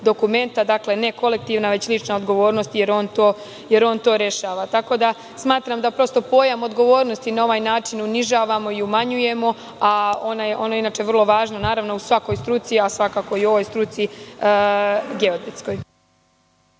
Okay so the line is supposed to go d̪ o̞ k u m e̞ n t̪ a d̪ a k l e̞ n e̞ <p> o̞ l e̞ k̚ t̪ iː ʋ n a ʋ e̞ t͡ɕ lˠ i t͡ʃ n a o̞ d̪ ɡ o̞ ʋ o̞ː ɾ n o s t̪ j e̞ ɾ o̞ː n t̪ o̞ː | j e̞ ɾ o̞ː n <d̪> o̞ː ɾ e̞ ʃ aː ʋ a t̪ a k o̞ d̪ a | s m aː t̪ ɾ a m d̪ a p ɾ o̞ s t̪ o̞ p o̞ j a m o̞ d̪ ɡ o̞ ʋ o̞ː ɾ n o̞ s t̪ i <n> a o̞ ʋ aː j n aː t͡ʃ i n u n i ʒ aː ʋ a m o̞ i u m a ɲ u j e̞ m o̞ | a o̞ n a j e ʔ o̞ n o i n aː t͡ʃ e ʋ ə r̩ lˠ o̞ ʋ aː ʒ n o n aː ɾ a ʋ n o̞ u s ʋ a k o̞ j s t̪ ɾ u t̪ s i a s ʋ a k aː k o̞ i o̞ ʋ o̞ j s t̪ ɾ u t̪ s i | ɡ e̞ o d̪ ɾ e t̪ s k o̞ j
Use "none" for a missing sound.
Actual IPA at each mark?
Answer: k, t̪, n

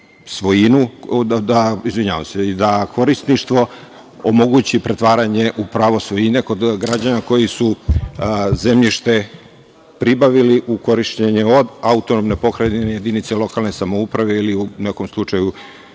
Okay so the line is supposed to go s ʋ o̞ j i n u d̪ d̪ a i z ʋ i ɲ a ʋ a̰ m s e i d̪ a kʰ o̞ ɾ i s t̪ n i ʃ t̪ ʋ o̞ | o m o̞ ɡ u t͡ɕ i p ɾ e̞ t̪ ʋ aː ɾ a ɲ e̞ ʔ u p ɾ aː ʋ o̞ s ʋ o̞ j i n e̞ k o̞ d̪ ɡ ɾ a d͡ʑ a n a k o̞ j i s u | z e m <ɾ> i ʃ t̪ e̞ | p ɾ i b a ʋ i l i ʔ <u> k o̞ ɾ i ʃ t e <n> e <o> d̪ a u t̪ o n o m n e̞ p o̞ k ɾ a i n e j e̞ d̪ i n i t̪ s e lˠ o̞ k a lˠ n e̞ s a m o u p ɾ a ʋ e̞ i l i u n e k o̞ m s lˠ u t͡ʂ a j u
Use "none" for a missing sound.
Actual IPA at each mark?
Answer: ʎ, u, ɲ, o

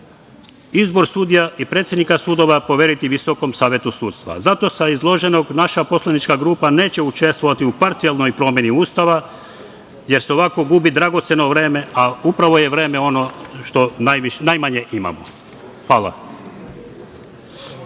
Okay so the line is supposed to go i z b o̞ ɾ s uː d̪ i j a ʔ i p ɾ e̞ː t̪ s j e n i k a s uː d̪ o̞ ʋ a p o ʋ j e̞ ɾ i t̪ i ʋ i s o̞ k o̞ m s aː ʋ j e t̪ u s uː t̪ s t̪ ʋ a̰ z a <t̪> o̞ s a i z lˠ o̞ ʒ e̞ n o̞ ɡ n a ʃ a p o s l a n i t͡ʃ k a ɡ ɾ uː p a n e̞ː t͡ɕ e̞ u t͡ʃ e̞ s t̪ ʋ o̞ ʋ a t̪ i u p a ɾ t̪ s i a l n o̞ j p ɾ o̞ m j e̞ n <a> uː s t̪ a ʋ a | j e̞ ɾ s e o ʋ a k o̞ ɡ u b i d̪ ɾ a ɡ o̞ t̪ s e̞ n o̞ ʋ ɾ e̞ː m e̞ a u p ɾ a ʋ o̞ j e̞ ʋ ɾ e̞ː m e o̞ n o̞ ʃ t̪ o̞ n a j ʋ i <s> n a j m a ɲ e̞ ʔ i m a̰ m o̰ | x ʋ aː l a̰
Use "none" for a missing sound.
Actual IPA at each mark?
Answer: t̪, i, ʃ

